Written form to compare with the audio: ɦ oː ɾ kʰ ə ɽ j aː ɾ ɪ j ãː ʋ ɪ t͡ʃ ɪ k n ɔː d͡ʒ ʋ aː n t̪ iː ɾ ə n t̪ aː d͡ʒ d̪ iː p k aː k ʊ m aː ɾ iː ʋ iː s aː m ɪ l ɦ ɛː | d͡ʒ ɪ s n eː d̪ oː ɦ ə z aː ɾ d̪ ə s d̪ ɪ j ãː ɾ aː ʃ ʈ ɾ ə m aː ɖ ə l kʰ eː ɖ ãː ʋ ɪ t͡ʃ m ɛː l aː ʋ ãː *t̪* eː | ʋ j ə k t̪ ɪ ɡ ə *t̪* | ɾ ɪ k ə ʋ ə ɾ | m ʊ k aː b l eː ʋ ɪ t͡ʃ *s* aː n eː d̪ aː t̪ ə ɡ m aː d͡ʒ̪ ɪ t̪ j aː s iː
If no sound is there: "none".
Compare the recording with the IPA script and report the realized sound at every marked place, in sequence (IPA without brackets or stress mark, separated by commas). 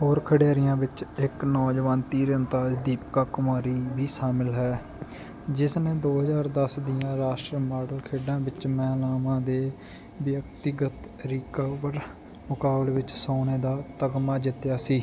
d̪, t̪, s